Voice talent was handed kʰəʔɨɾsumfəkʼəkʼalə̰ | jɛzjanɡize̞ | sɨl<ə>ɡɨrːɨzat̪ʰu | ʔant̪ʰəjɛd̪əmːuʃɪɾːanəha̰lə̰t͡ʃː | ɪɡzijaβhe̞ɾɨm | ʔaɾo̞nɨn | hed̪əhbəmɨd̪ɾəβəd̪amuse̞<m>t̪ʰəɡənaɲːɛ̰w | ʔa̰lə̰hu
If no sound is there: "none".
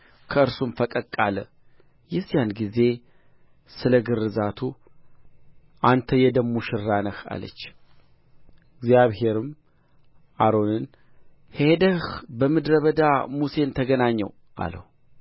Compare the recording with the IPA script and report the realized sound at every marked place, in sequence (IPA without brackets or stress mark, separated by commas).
ə, n